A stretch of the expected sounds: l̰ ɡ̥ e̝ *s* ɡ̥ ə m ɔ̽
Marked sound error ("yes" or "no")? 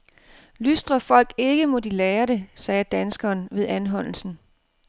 yes